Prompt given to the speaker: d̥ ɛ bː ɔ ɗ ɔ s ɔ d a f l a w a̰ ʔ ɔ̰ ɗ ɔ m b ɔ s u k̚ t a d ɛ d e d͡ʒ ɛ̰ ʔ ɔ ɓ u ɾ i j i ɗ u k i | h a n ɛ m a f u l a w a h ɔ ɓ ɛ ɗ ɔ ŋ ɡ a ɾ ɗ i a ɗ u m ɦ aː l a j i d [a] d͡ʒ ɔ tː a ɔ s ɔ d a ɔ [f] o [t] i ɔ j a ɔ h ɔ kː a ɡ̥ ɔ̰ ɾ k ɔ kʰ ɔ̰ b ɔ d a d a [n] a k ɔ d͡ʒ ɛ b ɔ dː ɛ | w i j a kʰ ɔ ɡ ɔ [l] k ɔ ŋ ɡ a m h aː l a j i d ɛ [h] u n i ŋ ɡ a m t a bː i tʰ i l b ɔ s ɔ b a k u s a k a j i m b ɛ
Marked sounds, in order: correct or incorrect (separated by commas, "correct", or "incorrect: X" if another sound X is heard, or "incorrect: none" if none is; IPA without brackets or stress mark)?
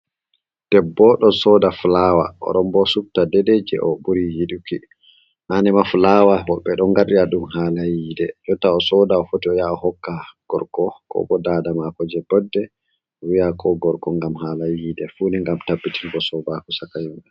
incorrect: ɛ, correct, correct, incorrect: m, incorrect: ɾ, incorrect: f